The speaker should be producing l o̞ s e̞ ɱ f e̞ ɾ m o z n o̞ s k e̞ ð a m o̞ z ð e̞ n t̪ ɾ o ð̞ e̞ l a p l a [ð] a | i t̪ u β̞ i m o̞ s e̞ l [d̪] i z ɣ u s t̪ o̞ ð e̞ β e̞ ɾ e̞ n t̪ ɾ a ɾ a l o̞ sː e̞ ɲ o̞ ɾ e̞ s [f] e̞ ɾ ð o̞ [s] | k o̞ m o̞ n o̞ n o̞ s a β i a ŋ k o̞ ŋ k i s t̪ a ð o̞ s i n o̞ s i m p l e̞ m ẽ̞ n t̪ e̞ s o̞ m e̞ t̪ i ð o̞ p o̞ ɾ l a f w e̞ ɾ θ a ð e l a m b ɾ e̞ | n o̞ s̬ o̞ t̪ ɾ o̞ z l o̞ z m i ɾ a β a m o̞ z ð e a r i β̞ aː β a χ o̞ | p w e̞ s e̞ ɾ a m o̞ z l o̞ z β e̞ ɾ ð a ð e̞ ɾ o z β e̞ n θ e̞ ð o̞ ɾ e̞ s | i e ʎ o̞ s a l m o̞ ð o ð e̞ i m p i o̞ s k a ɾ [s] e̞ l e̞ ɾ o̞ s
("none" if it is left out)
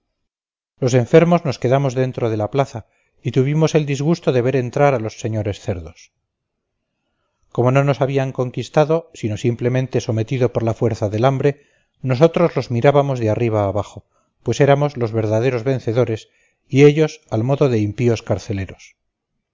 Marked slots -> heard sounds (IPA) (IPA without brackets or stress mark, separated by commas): θ, d̪, θ, s, θ